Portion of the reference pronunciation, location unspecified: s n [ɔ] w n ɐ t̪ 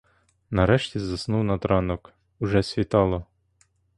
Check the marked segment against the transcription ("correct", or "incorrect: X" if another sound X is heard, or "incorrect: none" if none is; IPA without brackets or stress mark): incorrect: u